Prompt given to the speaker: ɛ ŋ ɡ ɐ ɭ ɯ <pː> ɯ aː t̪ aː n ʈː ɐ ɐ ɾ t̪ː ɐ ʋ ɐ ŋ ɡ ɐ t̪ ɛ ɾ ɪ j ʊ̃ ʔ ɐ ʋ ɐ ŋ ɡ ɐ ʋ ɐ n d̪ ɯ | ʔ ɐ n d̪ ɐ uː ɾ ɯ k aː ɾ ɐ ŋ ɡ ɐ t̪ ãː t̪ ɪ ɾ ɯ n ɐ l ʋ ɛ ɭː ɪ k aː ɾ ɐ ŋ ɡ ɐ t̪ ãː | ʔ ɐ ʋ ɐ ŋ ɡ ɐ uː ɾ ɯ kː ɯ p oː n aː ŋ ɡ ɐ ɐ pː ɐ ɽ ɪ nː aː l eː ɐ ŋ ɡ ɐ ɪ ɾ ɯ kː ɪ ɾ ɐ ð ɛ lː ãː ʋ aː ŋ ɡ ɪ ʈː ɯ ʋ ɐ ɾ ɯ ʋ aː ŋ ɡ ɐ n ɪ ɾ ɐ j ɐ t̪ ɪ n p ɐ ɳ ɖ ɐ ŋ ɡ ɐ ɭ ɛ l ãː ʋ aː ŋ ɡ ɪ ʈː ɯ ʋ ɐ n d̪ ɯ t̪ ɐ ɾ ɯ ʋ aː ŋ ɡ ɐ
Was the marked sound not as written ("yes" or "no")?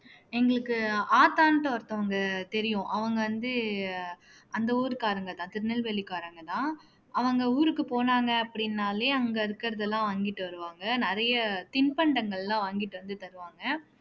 yes